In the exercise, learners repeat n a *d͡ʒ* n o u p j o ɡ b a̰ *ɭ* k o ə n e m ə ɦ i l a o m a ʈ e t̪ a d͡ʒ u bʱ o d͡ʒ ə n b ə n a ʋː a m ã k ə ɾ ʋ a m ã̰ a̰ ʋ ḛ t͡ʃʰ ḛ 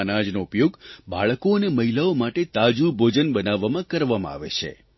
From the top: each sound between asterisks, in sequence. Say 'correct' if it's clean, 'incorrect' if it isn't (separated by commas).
correct, correct